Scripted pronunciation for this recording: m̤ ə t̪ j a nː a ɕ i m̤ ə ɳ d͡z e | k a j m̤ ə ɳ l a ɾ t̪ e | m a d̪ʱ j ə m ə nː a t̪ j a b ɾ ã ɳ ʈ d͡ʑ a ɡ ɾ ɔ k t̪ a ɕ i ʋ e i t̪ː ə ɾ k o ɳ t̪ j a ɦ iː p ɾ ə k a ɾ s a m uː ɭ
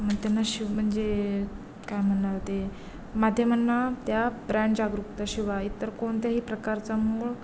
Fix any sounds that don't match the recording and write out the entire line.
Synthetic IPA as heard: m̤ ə t̪ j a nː a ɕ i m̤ ə ɳ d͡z e | k a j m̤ ə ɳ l a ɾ t̪ e | m a d̪ʱ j ə m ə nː a t̪ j a b ɾ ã ɳ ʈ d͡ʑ a ɡ ɾ u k t̪ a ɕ i ʋ a i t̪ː ə ɾ k o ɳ t̪ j a ɦ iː p ɾ ə k a ɾ t͡s a m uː ɭ